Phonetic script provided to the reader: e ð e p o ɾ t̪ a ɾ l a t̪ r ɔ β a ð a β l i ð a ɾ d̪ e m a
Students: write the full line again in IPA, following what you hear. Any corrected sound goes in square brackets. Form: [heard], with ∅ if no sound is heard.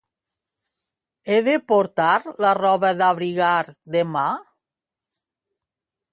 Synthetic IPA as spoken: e ð e p o ɾ t̪ a ɾ l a [∅] r ɔ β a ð a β [ɾ] i [ɣ] a ɾ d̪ e m a